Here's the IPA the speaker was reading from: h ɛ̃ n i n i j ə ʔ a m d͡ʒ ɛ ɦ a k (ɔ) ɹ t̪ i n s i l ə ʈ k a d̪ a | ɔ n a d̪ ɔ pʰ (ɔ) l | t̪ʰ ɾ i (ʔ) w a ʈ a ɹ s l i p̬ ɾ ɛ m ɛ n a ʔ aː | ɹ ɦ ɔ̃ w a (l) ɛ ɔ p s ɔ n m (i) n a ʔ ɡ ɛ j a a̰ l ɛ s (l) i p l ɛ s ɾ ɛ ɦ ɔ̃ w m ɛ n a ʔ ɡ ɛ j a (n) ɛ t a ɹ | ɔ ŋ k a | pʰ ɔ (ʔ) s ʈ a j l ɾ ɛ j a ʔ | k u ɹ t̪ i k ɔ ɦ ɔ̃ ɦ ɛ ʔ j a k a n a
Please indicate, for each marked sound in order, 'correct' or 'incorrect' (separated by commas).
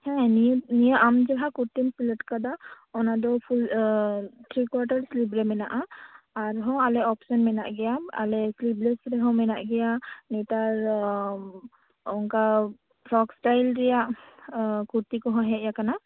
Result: incorrect, incorrect, incorrect, correct, incorrect, correct, correct, incorrect